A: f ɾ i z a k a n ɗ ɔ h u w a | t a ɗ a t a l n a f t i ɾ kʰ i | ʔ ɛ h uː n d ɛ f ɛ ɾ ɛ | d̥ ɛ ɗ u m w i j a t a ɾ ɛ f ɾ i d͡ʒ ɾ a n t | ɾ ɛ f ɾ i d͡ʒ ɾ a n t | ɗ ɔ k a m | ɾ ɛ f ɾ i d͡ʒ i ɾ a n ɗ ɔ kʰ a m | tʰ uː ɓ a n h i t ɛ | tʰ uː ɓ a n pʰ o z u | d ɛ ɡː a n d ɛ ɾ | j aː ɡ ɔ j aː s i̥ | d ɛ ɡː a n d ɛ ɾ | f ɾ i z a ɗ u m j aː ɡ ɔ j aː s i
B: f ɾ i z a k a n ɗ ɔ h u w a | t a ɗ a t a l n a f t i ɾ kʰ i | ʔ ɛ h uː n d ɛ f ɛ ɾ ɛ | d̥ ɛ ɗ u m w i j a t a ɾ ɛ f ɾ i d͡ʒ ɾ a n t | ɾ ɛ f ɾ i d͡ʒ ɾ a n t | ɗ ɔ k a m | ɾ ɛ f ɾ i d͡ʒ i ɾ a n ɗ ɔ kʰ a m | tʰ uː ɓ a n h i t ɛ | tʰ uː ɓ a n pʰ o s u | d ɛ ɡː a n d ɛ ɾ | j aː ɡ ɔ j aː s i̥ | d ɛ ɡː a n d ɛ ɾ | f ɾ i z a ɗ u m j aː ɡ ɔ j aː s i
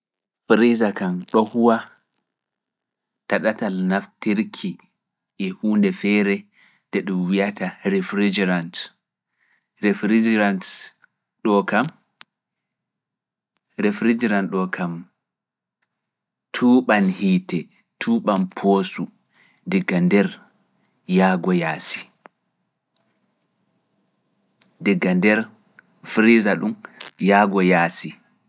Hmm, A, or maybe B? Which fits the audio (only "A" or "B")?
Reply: B